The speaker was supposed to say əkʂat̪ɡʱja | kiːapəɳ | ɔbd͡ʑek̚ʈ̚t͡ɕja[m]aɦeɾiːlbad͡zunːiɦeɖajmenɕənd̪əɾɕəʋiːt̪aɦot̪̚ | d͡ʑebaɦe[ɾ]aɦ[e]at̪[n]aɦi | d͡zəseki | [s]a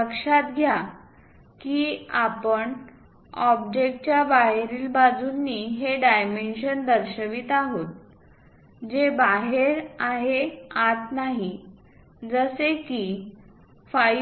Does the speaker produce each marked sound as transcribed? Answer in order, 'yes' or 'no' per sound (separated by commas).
no, yes, yes, yes, no